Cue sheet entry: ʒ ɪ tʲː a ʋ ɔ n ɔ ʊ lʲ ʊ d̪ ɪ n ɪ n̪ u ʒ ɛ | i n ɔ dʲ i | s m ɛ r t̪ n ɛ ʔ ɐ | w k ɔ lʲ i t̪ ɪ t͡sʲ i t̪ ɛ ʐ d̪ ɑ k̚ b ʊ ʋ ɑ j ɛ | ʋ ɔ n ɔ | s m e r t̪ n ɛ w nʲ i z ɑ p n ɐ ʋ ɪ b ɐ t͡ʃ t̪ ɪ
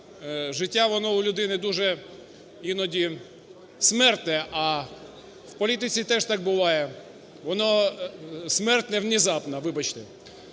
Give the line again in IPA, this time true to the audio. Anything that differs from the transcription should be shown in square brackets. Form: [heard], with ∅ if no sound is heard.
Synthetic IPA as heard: ʒ ɪ tʲː a ʋ ɔ n ɔ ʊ lʲ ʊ d̪ ɪ n ɪ [d̪] u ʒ ɛ | i n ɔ dʲ i | s m ɛ r t̪ n ɛ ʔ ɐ | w [p] ɔ lʲ i t̪ ɪ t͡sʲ i t̪ ɛ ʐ [t̪] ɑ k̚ b ʊ ʋ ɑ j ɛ | ʋ ɔ n ɔ | s m [ɛ] r t̪ n ɛ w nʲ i z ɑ p n ɐ ʋ ɪ b ɐ t͡ʃ t̪ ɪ

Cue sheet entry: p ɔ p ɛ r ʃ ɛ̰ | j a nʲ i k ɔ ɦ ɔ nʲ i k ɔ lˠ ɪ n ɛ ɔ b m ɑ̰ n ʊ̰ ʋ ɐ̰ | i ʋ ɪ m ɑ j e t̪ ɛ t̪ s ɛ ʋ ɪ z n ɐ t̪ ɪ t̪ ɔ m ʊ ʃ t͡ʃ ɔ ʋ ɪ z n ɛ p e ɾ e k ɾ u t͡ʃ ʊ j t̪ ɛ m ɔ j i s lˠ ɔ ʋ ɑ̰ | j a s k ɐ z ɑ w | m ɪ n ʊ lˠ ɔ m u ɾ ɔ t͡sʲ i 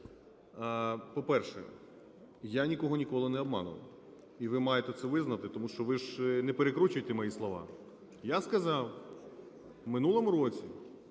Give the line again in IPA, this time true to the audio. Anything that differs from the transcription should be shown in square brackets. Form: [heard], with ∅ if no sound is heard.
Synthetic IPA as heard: p ɔ p ɛ r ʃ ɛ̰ | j a nʲ i k ɔ ɦ ɔ nʲ i k ɔ lˠ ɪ n ɛ ɔ b m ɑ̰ n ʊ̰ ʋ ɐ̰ | i ʋ ɪ m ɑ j e t̪ ɛ t̪ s ɛ ʋ ɪ z n ɐ t̪ ɪ t̪ ɔ m [u] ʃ t͡ʃ ɔ ʋ ɪ [ʒ] n ɛ p e ɾ e k ɾ u t͡ʃ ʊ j t̪ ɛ m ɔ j i s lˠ ɔ ʋ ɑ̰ | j a s k ɐ z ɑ w | m ɪ n [u] lˠ ɔ m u ɾ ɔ t͡sʲ i

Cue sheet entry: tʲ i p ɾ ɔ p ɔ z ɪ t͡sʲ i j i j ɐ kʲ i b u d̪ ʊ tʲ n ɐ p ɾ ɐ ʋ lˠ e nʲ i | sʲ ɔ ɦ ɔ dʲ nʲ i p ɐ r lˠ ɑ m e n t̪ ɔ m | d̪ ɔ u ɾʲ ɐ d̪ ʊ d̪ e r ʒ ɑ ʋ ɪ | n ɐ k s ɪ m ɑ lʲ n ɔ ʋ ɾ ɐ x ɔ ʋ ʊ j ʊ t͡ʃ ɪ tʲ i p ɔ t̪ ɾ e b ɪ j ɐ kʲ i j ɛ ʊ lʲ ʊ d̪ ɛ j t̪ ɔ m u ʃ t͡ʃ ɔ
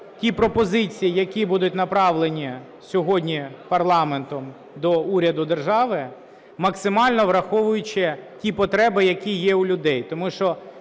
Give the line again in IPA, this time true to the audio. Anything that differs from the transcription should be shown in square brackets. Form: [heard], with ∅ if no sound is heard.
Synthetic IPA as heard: tʲ i p ɾ ɔ p ɔ z ɪ t͡sʲ i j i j ɐ kʲ i b u d̪ ʊ tʲ n ɐ p ɾ [ɑ] ʋ lˠ e nʲ i | sʲ ɔ ɦ ɔ dʲ nʲ i p ɐ r lˠ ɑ m e n t̪ ɔ m | d̪ ɔ u ɾʲ ɐ d̪ ʊ d̪ e r ʒ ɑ ʋ ɪ | [m] ɐ k s ɪ m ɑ lʲ n ɔ ʋ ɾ ɐ x ɔ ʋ ʊ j ʊ t͡ʃ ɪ tʲ i p ɔ t̪ ɾ [ɛ] b ɪ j ɐ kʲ i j ɛ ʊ lʲ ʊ d̪ ɛ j t̪ ɔ m u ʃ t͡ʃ ɔ

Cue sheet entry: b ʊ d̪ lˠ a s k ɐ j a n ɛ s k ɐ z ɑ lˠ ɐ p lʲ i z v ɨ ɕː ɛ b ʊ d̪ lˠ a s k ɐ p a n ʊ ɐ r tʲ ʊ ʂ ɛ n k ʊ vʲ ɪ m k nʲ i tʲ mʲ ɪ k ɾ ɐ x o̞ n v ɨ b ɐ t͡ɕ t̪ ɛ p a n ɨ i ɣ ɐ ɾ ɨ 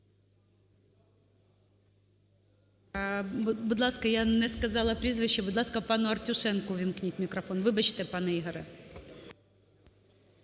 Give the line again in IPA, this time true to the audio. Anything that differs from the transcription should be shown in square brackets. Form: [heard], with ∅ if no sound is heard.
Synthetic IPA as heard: b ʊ d̪ lˠ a s k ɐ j a n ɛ s k ɐ z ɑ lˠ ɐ p [ɾʲ] i z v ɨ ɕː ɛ b ʊ d̪ lˠ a s k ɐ p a n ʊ ɐ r tʲ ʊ ʂ ɛ n k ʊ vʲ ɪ m k nʲ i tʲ mʲ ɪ k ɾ ɐ [f] o̞ n v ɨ b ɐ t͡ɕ t̪ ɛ p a n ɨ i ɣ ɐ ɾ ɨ

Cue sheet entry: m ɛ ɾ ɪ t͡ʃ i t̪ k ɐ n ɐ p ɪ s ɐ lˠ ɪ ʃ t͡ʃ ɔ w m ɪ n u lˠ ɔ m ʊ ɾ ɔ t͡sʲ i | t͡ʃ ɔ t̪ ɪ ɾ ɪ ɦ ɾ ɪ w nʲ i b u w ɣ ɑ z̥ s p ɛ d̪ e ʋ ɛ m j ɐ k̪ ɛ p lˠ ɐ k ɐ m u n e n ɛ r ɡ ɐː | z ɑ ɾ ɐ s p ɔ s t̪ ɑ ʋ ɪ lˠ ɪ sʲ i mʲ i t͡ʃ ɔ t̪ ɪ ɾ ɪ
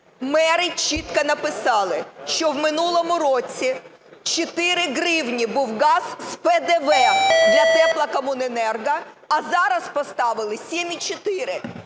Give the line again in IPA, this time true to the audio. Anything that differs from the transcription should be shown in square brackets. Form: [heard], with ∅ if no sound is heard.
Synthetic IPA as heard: m ɛ ɾ ɪ t͡ʃ i t̪ k ɐ n ɐ p ɪ s [ɑ] lˠ ɪ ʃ t͡ʃ ɔ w m ɪ n u lˠ ɔ m ʊ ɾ ɔ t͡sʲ i | t͡ʃ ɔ t̪ ɪ ɾ ɪ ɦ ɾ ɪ w nʲ i b u w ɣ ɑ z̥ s p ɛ d̪ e ʋ ɛ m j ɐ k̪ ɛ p lˠ ɐ k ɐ m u n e n ɛ r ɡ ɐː | z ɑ ɾ ɐ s p ɔ s t̪ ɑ ʋ ɪ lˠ ɪ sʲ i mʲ i t͡ʃ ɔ t̪ ɪ ɾ ɪ

